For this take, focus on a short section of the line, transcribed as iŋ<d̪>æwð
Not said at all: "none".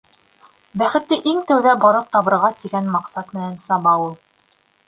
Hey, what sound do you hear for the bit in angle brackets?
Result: t̪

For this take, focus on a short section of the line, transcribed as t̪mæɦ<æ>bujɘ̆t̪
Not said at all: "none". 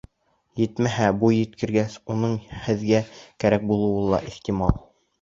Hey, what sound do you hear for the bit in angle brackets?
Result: æ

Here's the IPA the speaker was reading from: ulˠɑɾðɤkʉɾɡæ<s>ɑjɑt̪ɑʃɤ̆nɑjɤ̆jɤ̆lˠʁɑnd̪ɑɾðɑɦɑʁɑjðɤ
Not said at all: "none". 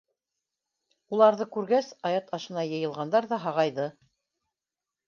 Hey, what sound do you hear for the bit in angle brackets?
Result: s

